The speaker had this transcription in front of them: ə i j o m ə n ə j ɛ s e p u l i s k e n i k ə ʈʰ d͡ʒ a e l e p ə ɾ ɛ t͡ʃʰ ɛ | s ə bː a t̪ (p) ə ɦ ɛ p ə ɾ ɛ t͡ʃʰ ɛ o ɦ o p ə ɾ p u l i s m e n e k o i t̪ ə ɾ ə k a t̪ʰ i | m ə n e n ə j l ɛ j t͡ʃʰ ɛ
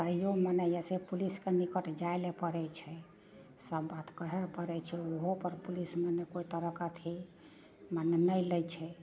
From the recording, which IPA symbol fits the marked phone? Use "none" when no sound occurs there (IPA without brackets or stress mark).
k